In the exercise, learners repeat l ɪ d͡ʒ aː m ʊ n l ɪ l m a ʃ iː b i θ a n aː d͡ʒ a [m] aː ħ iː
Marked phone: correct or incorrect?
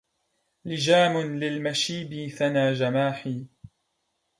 correct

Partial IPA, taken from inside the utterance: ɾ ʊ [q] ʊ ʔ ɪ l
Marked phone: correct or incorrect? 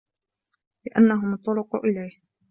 correct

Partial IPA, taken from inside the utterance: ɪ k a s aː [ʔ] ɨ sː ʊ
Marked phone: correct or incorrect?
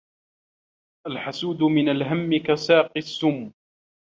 incorrect: q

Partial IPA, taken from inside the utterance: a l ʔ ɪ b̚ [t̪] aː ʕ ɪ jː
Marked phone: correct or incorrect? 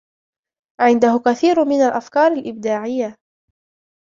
incorrect: d̪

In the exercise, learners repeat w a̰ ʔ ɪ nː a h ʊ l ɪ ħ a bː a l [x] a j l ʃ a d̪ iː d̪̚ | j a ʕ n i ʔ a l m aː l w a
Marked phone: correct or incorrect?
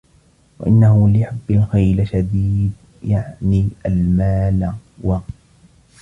correct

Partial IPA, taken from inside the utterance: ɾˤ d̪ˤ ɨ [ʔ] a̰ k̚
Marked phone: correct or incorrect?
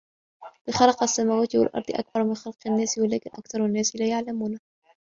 correct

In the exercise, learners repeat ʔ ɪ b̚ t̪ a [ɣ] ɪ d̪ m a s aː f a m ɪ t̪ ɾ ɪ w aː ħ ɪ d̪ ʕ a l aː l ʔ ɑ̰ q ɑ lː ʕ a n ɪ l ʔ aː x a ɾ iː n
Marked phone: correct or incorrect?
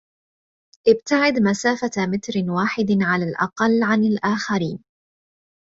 incorrect: ʕ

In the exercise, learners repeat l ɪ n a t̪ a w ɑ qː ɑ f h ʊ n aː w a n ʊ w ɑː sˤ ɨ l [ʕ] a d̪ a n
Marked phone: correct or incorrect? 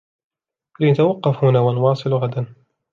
incorrect: ɣ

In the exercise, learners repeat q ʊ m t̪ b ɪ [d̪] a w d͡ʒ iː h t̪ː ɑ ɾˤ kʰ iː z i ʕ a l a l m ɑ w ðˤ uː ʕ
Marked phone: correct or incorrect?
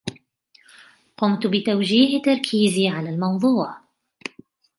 incorrect: t̪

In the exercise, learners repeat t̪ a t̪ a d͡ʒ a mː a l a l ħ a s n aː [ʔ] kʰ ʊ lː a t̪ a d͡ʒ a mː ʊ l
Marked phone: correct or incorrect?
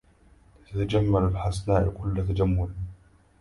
correct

